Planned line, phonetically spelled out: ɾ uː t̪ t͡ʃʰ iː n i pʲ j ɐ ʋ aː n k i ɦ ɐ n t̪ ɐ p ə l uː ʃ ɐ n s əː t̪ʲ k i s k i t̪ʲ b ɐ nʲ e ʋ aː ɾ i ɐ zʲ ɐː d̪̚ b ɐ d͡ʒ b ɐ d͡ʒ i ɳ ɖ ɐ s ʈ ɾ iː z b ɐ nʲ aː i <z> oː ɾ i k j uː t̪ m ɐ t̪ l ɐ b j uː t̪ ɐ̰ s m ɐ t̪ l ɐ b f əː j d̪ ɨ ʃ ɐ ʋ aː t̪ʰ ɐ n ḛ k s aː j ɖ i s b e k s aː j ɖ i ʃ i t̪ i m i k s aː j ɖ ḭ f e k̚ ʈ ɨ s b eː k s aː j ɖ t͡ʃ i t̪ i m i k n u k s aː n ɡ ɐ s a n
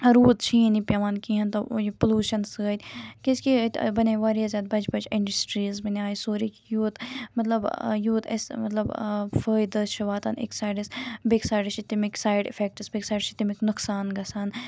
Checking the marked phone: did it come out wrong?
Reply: yes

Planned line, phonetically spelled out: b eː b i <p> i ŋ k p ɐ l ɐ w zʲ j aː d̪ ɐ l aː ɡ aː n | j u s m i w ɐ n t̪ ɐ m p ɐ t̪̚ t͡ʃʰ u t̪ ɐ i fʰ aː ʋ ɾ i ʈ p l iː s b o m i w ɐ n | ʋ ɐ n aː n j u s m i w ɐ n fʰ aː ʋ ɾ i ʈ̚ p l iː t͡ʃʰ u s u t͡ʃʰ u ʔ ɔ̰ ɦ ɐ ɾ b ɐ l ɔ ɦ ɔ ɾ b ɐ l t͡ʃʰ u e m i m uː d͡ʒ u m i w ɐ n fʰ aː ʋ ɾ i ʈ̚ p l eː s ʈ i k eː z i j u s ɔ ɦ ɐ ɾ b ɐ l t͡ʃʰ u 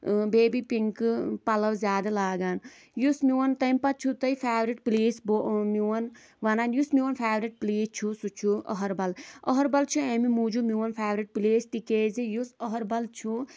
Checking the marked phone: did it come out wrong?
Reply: no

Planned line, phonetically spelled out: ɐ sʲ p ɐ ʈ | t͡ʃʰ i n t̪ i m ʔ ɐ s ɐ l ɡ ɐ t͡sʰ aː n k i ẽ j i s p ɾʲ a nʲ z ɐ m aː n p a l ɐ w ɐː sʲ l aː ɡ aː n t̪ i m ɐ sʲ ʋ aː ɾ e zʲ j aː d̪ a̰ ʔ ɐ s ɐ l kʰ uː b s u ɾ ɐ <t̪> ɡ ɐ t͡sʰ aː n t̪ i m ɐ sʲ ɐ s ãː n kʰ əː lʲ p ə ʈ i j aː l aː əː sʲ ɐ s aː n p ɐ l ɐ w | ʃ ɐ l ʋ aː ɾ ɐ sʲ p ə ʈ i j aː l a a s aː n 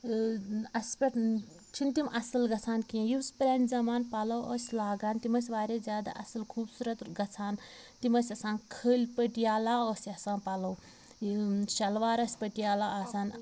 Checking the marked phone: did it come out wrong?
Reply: no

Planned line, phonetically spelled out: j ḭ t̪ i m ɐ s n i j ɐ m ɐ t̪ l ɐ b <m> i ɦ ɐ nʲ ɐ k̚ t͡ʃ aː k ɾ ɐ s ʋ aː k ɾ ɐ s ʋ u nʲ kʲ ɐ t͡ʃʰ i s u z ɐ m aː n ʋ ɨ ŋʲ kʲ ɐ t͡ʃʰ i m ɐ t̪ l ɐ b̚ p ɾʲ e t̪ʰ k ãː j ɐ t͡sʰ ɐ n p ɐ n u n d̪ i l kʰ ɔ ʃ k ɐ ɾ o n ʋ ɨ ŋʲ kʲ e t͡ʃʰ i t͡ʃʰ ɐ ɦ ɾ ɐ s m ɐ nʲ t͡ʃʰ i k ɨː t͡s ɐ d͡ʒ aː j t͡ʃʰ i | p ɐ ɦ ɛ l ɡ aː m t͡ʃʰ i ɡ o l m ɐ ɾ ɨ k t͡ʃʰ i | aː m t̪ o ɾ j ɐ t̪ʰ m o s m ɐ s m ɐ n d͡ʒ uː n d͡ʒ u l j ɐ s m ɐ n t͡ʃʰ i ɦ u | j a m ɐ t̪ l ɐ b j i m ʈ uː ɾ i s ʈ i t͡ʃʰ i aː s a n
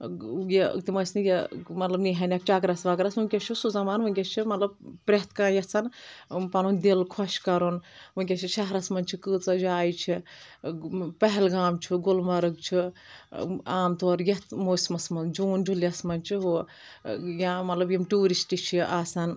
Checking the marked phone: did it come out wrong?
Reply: yes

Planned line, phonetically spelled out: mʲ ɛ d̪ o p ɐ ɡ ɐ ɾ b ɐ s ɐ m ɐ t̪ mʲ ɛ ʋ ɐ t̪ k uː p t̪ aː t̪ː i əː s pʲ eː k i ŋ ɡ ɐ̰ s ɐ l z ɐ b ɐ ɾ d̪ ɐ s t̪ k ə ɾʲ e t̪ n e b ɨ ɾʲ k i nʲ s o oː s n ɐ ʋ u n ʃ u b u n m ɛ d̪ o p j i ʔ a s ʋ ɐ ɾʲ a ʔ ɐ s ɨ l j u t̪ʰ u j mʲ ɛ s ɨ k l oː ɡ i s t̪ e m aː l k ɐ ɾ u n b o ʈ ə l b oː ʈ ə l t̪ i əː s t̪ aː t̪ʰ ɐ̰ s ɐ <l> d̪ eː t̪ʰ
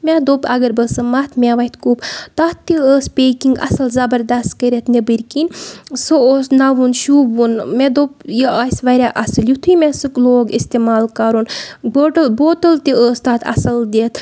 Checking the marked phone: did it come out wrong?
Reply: no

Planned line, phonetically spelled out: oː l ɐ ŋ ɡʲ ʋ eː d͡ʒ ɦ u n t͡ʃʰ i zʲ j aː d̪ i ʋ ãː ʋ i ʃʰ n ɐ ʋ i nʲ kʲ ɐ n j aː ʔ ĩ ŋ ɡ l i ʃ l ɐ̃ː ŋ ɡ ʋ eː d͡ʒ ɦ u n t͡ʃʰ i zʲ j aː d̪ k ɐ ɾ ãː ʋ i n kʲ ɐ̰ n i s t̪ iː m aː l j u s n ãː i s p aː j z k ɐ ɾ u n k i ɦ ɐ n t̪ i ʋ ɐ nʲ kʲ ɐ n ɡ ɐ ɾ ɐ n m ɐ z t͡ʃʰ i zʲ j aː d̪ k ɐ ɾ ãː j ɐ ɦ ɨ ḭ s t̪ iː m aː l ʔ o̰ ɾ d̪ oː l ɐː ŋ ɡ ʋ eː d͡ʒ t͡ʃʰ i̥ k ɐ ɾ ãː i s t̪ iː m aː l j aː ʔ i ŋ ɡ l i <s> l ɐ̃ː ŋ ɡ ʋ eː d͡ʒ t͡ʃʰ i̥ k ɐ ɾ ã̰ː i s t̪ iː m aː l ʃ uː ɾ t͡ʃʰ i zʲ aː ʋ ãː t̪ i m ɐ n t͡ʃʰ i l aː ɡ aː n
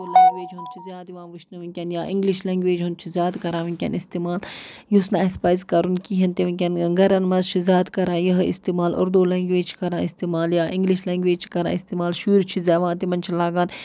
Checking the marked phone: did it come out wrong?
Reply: yes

